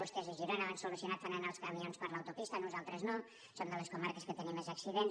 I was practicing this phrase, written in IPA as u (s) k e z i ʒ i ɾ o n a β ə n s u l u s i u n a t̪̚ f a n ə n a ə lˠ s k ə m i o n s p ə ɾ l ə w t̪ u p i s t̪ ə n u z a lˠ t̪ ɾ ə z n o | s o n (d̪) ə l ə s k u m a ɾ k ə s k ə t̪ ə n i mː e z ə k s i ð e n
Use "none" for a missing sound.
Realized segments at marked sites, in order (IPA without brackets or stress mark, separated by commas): s, d̪